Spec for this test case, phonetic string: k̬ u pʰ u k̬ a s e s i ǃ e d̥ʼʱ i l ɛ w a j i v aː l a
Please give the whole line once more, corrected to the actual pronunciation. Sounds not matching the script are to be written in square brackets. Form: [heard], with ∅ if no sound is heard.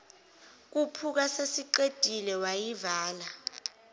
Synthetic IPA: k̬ u pʰ u k̬ a s e s i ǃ e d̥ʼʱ i l ɛ w a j i v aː l a